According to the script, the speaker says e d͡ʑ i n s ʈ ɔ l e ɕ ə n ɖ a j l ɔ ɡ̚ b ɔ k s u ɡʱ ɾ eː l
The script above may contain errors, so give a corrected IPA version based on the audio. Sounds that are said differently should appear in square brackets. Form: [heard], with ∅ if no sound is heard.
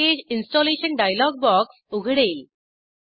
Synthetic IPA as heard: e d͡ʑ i n s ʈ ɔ l e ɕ ə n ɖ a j l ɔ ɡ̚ b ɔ k s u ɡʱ [ɽ] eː l